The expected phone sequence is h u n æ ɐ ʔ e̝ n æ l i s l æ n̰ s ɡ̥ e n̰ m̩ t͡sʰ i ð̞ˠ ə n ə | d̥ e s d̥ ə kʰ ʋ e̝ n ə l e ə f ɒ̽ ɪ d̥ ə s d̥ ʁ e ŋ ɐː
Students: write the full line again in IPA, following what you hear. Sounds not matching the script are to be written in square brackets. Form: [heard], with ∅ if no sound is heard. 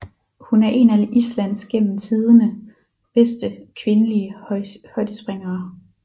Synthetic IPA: h u n æ ɐ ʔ e̝ n æ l i s l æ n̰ s ɡ̥ e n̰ m̩ t͡sʰ i ð̞ˠ ə n ə | [b̥] e s d̥ ə kʰ ʋ e̝ n ə l [i] ə [h] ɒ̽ ɪ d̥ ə s [b̥] ʁ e ŋ ɐː

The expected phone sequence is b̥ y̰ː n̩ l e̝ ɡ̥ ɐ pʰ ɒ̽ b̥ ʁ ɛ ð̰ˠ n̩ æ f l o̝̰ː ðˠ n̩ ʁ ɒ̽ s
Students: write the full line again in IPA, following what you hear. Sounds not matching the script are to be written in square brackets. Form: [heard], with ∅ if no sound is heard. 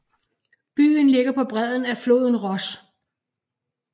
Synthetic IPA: b̥ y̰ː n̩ l e̝ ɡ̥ ɐ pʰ ɒ̽ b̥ ʁ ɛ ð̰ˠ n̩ æ f l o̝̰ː ðˠ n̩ ʁ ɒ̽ s

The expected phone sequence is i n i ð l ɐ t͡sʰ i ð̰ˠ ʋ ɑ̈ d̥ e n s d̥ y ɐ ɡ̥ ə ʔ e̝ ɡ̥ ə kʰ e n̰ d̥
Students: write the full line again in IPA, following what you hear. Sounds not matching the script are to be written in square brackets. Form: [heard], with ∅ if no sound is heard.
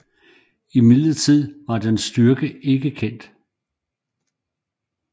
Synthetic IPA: i [m] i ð l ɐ t͡sʰ i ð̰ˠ ʋ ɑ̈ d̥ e n s d̥ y ɐ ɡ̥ ə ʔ e̝ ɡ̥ ə kʰ e n̰ d̥

